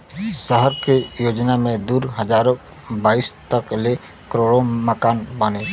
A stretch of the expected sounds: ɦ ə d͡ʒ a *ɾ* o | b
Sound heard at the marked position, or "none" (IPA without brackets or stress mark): ɾ